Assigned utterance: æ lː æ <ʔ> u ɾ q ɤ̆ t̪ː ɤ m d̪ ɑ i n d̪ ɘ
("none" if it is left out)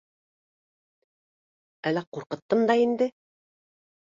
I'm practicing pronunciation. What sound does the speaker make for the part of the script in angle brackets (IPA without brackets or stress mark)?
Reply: q